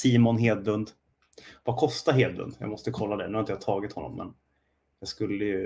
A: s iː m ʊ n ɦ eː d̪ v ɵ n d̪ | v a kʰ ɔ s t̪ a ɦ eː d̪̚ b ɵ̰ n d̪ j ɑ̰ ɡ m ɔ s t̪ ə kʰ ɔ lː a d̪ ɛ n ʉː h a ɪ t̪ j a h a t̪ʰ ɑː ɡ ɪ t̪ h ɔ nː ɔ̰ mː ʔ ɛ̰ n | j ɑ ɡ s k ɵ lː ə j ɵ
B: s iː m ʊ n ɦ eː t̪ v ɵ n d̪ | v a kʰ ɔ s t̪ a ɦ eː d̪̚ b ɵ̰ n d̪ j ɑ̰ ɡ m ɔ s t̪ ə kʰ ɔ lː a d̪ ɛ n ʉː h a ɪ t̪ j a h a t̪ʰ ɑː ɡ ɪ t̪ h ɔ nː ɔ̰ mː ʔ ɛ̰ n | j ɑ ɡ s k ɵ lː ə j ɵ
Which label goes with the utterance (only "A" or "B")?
A